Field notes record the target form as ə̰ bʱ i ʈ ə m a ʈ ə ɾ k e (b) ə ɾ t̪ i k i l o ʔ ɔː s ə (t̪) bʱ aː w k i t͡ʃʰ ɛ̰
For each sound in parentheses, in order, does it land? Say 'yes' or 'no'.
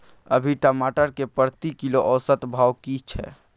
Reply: no, yes

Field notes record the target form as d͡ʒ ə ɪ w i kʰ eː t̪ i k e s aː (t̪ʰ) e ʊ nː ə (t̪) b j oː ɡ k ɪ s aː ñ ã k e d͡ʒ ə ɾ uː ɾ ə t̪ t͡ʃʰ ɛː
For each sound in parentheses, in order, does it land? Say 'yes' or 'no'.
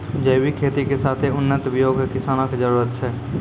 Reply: yes, yes

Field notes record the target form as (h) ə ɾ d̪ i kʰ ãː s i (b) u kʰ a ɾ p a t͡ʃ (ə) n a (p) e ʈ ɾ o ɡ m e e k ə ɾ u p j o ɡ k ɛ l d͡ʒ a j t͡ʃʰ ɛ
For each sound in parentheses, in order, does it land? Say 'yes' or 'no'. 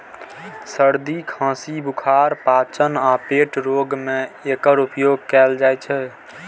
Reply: no, yes, yes, yes

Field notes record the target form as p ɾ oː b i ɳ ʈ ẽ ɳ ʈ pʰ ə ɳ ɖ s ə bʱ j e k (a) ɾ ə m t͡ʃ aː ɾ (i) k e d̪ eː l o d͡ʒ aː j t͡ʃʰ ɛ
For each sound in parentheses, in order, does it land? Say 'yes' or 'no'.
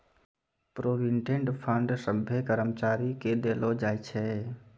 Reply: no, yes

